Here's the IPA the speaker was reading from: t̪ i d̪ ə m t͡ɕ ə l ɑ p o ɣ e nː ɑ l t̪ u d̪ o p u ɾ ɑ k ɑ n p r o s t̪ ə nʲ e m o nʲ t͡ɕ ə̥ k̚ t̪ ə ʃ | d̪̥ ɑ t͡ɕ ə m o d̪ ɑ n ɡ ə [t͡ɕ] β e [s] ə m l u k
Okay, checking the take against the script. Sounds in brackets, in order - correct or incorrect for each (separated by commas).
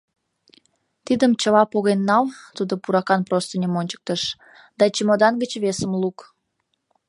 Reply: correct, correct